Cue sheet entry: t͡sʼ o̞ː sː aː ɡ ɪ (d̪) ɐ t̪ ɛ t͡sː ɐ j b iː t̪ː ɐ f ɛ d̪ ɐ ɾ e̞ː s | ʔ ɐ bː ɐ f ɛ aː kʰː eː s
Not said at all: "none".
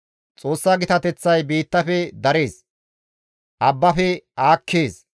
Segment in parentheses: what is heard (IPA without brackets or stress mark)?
t̪